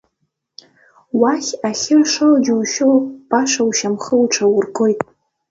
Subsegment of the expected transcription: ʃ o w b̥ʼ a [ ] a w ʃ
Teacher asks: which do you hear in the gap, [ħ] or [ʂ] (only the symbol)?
ʂ